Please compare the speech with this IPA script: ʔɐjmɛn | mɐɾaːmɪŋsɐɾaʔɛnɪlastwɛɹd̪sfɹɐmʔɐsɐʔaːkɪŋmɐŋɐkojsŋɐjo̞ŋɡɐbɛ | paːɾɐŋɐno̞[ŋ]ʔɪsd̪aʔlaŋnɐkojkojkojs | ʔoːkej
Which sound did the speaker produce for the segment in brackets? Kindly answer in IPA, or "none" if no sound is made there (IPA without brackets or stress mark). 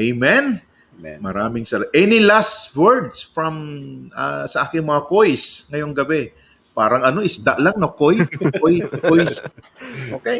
none